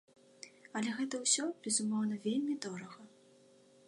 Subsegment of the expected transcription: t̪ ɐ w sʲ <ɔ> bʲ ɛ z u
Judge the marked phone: correct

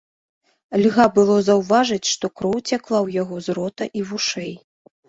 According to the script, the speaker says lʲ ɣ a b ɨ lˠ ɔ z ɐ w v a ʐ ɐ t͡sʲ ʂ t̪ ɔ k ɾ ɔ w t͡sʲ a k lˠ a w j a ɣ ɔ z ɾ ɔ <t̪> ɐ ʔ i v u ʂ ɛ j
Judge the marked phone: correct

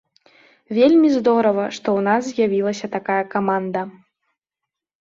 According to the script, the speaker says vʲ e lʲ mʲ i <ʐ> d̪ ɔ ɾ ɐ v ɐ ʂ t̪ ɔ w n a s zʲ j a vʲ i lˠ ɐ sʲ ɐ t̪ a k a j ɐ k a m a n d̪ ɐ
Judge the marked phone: incorrect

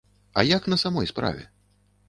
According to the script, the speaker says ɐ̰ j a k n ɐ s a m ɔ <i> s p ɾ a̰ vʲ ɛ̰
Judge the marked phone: incorrect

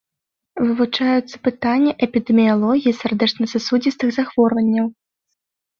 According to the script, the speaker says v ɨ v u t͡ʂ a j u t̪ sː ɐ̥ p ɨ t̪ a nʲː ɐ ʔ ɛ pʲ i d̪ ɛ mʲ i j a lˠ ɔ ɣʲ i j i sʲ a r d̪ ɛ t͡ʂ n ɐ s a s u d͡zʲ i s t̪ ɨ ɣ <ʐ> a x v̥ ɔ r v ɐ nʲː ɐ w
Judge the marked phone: incorrect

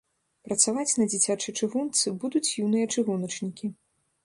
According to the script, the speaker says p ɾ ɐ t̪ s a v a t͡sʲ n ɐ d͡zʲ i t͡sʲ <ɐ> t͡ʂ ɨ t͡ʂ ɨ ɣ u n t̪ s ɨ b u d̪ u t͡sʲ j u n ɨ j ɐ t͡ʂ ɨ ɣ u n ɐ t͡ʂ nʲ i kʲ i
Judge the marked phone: incorrect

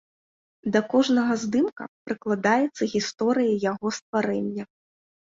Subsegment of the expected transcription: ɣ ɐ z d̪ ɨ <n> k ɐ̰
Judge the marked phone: incorrect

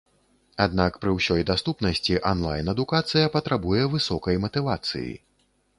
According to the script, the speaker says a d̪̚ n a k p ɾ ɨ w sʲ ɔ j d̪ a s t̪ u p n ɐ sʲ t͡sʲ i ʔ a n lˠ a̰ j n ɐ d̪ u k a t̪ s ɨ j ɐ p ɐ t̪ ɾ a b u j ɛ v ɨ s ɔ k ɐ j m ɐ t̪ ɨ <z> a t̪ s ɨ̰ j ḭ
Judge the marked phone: incorrect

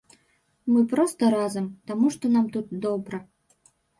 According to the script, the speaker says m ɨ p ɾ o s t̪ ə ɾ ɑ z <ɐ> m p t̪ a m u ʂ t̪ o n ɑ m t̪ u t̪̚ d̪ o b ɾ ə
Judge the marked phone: incorrect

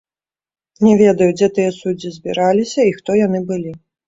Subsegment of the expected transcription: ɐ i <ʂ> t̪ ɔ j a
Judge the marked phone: incorrect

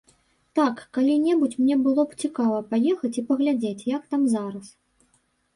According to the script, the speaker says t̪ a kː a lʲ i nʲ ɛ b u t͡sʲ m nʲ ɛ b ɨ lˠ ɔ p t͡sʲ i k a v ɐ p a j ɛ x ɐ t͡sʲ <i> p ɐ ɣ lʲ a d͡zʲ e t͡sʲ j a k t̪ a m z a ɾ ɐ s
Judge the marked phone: correct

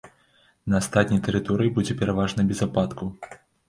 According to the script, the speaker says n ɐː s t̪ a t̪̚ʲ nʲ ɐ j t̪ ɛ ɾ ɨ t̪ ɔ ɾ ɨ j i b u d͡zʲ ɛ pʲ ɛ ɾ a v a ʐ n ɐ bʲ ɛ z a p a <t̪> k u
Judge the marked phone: correct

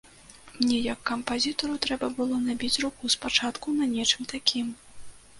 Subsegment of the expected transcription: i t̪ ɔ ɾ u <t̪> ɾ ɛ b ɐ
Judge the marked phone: correct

